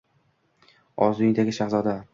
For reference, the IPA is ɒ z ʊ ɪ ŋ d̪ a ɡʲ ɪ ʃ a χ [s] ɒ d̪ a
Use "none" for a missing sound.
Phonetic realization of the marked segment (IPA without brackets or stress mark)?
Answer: z